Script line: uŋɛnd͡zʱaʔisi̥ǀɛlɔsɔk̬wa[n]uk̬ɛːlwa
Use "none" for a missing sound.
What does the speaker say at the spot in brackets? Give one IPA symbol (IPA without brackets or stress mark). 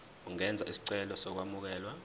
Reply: m